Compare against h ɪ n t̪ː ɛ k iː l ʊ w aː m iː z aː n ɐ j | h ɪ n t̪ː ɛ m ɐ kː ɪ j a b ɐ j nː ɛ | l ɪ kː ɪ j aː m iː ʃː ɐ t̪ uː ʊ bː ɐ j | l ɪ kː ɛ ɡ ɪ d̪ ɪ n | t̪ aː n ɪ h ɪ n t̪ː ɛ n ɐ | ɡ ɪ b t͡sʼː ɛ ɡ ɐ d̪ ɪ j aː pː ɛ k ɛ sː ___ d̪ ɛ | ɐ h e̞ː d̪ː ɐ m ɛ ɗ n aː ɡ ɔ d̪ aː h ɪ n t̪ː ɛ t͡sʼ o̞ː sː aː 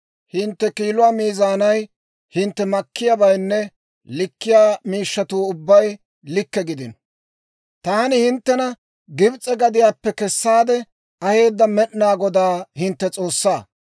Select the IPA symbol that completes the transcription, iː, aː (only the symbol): aː